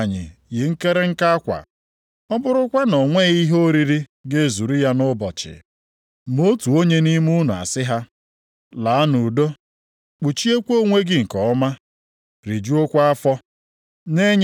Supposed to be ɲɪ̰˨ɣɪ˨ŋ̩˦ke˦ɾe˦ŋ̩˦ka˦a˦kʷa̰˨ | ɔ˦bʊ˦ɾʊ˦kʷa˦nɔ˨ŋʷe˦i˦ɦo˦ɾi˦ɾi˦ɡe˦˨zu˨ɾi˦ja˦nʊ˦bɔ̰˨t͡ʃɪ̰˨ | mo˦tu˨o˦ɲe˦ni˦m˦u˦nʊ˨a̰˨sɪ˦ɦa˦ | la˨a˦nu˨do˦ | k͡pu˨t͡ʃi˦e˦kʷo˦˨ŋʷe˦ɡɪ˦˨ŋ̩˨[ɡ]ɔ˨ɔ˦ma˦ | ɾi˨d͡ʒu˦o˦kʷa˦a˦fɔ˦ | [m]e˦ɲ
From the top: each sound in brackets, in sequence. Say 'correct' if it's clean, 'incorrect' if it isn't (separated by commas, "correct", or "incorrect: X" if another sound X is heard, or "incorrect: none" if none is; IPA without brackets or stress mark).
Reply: incorrect: k, incorrect: n